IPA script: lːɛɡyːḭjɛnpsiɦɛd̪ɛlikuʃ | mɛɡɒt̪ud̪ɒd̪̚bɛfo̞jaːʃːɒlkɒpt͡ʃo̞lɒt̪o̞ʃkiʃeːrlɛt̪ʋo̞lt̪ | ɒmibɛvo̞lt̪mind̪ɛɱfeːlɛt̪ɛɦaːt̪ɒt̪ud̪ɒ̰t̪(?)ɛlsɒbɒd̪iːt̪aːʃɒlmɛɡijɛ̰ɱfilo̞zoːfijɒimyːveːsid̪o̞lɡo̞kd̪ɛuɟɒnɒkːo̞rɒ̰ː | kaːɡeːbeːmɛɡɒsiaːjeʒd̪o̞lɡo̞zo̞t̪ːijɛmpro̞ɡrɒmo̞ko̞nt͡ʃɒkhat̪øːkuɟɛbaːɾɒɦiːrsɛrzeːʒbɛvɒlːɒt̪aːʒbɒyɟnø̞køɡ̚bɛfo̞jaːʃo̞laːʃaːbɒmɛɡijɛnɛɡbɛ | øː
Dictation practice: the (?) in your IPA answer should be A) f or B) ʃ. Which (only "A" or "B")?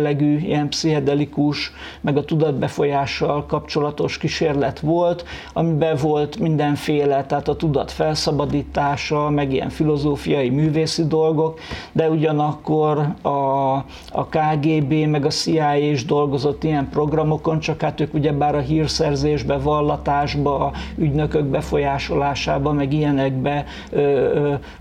A